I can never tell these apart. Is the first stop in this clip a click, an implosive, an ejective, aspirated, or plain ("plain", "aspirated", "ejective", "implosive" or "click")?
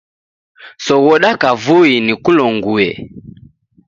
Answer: implosive